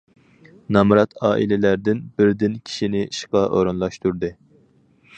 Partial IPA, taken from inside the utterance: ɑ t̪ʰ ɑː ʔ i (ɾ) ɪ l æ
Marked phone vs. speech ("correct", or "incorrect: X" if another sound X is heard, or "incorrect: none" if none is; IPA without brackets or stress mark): incorrect: l